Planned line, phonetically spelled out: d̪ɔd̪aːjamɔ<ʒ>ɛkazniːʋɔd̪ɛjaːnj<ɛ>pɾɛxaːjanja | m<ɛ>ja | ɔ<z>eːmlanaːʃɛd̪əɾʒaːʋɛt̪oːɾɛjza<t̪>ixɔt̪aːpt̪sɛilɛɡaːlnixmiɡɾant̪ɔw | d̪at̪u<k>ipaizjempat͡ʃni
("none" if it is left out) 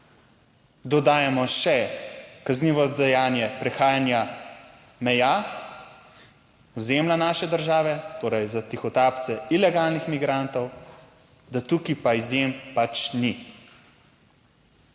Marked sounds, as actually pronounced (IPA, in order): ʃ, ɛ, ɛ, z, t̪, k

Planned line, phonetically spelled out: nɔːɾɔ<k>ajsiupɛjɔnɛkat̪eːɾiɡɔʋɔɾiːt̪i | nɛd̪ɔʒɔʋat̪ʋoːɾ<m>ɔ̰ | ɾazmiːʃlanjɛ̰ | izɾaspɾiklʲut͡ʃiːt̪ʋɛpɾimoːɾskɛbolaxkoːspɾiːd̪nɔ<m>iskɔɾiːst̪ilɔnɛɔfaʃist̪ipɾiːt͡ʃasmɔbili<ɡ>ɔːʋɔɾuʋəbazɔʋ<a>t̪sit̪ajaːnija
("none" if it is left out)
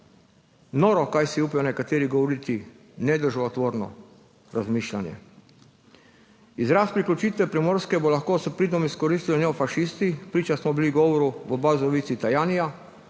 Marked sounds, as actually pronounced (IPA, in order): k, n, m, ɡ, i

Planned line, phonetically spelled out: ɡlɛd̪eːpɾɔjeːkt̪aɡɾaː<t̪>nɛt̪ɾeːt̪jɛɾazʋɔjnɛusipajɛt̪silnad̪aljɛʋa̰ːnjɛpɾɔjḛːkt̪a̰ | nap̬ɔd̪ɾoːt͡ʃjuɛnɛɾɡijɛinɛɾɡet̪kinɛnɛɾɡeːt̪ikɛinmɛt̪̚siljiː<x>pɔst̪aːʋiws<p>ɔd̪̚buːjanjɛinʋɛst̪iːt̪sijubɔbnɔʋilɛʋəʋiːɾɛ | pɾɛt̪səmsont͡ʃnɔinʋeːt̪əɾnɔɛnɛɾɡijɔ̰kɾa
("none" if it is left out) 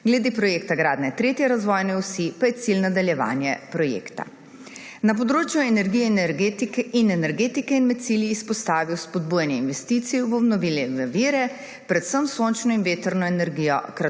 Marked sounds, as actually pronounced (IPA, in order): d̪, s, p

